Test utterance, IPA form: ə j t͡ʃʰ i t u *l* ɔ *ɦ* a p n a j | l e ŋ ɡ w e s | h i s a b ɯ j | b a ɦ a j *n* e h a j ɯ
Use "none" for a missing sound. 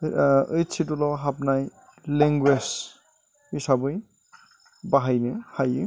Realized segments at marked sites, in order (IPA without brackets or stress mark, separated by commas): l, ɦ, n